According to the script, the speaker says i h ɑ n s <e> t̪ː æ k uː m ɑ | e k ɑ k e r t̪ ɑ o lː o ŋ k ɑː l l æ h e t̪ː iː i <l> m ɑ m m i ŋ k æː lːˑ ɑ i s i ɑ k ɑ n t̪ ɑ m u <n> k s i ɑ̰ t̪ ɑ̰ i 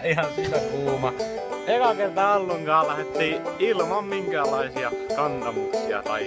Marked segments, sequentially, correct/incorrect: incorrect, correct, incorrect

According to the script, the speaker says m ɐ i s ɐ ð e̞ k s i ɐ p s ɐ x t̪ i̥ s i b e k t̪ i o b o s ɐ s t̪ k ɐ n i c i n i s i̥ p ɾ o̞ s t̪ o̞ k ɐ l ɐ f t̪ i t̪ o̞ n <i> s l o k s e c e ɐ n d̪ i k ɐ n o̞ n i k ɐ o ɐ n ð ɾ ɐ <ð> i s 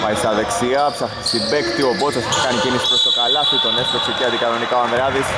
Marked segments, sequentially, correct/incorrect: incorrect, correct

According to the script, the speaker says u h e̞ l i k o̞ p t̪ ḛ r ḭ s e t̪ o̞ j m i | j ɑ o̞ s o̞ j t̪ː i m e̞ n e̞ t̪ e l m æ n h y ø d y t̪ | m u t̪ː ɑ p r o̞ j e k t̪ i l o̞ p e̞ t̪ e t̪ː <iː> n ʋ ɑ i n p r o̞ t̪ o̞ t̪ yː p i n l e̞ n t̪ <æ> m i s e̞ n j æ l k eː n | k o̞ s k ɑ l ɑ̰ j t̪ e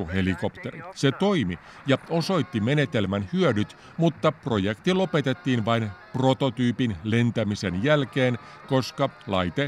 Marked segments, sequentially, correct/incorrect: correct, correct

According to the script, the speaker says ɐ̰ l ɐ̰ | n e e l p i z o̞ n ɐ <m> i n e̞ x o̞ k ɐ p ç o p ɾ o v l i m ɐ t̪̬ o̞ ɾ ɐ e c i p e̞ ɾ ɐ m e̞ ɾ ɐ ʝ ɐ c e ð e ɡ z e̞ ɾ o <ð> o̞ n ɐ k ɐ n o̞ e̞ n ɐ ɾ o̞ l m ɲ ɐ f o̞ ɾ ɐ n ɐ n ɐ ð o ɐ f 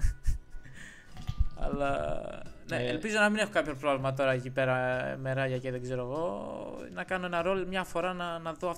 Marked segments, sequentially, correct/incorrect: correct, incorrect

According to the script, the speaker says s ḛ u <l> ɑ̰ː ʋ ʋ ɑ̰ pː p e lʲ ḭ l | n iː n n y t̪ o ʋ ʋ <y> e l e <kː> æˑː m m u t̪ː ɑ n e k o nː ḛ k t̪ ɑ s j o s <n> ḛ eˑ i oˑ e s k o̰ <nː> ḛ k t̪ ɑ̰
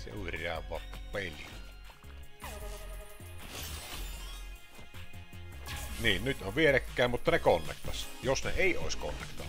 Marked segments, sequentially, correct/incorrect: incorrect, incorrect, correct, correct, correct

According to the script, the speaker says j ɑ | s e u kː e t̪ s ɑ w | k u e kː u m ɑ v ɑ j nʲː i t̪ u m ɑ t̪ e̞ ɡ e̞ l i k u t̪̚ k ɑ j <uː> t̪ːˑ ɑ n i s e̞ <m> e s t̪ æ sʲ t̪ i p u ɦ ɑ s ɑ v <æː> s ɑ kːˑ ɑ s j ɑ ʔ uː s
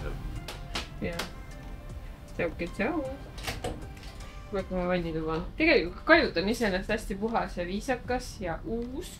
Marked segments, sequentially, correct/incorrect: incorrect, incorrect, incorrect

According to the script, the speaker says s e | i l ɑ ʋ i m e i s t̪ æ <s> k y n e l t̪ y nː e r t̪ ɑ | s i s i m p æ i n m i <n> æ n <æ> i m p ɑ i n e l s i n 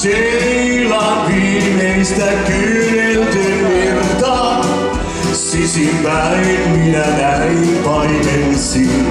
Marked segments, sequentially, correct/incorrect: incorrect, correct, correct

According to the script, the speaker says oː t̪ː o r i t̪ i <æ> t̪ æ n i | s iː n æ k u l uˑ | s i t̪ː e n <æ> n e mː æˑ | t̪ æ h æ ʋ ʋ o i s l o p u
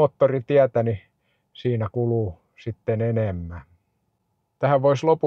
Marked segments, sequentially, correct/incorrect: correct, incorrect

